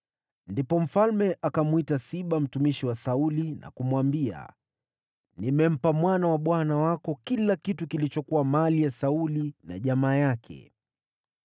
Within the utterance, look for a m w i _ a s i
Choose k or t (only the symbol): t